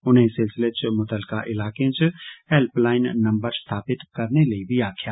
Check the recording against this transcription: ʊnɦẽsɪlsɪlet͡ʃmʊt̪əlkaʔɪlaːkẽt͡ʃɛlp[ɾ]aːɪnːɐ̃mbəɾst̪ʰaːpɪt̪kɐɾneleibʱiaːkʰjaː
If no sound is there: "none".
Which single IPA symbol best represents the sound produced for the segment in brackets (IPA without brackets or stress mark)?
l